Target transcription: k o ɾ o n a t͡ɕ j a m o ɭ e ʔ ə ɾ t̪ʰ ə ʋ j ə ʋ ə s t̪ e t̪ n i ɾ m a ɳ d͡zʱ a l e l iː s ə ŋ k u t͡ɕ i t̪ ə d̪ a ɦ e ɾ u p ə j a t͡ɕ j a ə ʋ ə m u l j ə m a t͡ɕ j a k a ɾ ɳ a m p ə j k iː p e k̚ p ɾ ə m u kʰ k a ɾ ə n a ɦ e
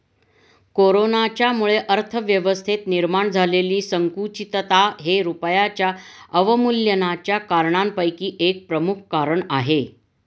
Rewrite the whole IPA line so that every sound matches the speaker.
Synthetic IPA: k o ɾ o n a t͡ɕ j a m u ɭ e ʔ ə ɾ t̪ʰ ə ʋ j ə ʋ ə s t̪ʰ e t̪ n i ɾ m a ɳ d͡zʱ a l e l iː s ə ŋ k u t͡ɕ i t̪ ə t̪ a ɦ e ɾ u p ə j a t͡ɕ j a ə ʋ ə m u l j ə n a t͡ɕ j a k a ɾ ɳ a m p ə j k iː ʔ e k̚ p ɾ ə m u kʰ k a ɾ ə ɳ a ɦ e

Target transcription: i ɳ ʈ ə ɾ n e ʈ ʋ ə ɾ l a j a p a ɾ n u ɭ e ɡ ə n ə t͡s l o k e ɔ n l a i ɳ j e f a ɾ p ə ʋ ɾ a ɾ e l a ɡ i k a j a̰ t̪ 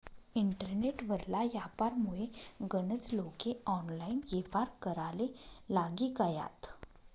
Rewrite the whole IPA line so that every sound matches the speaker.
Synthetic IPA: i ɳ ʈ ə ɾ n e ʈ ʋ ə ɾ l a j a p a ɾ m u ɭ e ɡ ə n ə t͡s l o k e ɔ n l a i n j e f a ɾ k ə ɾ a l e l a ɡ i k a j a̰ t̪

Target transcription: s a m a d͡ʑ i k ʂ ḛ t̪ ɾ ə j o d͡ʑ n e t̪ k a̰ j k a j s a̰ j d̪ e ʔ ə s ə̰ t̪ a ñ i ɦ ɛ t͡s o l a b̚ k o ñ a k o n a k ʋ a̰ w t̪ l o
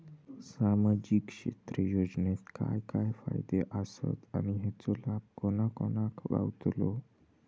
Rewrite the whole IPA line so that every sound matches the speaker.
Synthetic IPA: s a m a d͡ʑ i k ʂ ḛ t̪ ɾ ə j o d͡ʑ n e t̪ k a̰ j k a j f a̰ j d̪ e ʔ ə s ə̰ t̪ a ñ i ɦ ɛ t͡s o l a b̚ k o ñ a k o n a k ʋ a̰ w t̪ l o

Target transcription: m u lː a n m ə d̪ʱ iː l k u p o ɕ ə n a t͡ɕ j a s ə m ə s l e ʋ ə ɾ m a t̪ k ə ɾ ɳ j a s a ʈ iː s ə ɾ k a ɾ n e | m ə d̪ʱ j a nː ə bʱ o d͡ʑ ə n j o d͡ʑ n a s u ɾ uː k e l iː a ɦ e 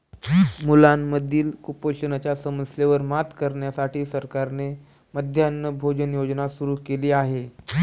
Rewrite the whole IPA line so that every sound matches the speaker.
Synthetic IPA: m u l a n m ə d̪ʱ iː l k u p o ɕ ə n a t͡ɕ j a s ə m ə s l e ʋ ə ɾ m a t̪ k ə ɾ ɳ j a s a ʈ iː s ə ɾ k a ɾ n e | m ə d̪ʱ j a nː ə bʱ o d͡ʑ ə n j o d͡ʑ n a s u ɾ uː k e l iː a ɦ e

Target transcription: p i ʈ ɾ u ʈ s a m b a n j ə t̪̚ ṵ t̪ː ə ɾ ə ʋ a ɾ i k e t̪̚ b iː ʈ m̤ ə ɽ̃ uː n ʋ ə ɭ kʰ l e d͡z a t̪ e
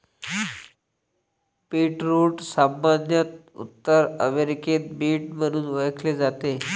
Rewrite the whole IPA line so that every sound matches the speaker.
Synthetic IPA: p i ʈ ɾ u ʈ s a m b a n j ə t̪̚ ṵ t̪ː ə ɾ ə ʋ e ɾ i k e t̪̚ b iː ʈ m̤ ə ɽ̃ uː n ʋ ə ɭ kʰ l e d͡z a t̪ e

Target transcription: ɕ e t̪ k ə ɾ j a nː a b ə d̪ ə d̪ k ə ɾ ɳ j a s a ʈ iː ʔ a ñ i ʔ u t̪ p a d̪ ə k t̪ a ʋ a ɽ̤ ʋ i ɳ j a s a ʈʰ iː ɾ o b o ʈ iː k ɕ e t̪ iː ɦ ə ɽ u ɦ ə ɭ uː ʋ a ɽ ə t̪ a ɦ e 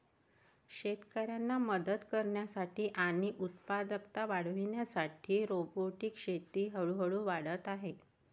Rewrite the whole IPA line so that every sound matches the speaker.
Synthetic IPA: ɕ e t̪ k ə ɾ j a nː a m ə d̪ ə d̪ k ə ɾ ɳ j a s a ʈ iː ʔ a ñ i ʔ u t̪ p a d̪ ə k t̪ a ʋ a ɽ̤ ʋ i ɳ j a s a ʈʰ iː ɾ o b o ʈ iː k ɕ e t̪ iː ɦ ə ɭ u ɦ ə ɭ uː ʋ a ɽ ə t̪ a ɦ e

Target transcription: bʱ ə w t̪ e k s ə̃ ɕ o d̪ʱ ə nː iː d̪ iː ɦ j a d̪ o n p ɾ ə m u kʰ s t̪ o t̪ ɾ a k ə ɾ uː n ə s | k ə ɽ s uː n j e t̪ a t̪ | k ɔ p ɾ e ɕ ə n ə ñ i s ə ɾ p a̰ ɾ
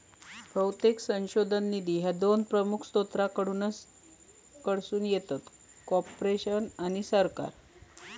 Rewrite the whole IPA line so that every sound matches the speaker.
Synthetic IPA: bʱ ə w t̪ e k s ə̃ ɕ o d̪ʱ ə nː i d̪ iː ɦ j a d̪ o n p ɾ ə m u kʰ s t̪ o t̪ ɾ a k ə ɽ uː n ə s | k ə ɽ s uː n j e t̪ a t̪ | k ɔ p ɾ e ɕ ə n a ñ i s ə ɾ k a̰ ɾ

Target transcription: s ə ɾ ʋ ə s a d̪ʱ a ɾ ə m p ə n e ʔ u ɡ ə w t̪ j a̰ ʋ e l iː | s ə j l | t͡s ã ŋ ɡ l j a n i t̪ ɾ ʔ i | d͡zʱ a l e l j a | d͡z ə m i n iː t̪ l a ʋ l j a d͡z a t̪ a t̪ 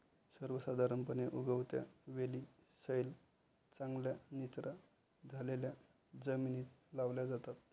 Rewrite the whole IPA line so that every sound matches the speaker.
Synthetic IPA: s ə ɾ ʋ ə s a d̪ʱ a ɾ ə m p ə n e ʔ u ɡ ə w t̪ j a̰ ʋ e l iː | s ə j l | t͡s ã ŋ ɡ l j a n i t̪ ɾ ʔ a | d͡zʱ a l e l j a | d͡z ə m i n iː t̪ l a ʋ l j a d͡z a t̪ a t̪

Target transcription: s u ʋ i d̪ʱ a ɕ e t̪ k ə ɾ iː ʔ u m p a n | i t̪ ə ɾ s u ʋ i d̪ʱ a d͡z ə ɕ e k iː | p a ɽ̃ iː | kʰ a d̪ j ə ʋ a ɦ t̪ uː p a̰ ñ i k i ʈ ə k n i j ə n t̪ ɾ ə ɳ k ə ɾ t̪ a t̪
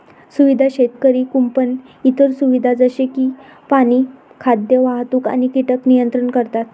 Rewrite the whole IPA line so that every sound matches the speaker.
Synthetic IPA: s u ʋ i d̪ʱ a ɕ e t̪ k ə ɾ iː k u m p ə n | i t̪ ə ɾ s u ʋ i d̪ʱ a d͡z ə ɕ e k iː | p a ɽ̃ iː | kʰ a d̪ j ə ʋ a ɦ t̪ uː k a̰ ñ i k i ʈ ə k n i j ə n t̪ ɾ ə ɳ k ə ɾ t̪ a t̪

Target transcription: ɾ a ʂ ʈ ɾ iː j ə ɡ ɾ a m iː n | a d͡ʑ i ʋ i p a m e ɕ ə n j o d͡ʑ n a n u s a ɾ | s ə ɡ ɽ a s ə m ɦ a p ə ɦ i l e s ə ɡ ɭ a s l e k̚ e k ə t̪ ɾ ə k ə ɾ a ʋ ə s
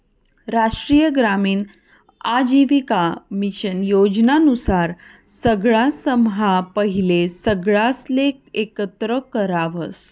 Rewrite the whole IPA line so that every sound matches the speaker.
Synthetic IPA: ɾ a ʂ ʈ ɾ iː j ə ɡ ɾ a m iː n | a d͡ʑ i ʋ i k a m i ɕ ə n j o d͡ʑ n a n u s a ɾ | s ə ɡ ɭ a s ə m ɦ a p ə ɦ i l e s ə ɡ ɭ a s l e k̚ e k ə t̪ ɾ ə k ə ɾ a ʋ ə s

